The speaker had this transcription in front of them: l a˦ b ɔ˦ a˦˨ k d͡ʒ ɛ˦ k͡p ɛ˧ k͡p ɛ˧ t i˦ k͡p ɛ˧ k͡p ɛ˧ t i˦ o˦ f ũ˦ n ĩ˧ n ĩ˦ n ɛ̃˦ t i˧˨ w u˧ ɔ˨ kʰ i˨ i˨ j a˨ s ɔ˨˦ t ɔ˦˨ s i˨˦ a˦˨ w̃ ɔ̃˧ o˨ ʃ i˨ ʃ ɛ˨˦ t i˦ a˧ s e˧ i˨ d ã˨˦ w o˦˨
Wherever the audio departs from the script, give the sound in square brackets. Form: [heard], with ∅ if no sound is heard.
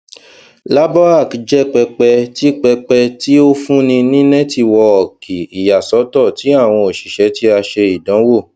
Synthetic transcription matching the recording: l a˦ b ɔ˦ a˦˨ k d͡ʒ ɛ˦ k͡p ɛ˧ k͡p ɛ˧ t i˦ k͡p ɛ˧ k͡p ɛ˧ t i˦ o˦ f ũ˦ n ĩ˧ n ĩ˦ n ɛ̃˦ t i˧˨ w [ɔ˧] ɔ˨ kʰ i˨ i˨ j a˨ s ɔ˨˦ t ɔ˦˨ [t] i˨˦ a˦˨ w̃ ɔ̃˧ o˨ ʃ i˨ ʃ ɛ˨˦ t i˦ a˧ [ʃ] e˧ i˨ d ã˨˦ w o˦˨